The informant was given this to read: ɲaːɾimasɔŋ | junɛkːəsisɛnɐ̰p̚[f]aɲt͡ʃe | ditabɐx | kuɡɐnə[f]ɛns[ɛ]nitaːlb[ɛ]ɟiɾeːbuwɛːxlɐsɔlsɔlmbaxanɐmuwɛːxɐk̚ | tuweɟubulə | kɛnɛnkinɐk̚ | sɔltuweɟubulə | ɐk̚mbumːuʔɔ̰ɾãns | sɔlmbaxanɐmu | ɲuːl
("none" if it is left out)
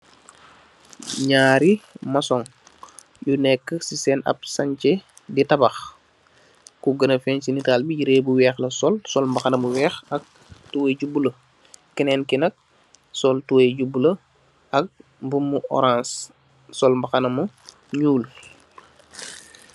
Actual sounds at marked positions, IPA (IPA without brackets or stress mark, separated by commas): s, f, i, i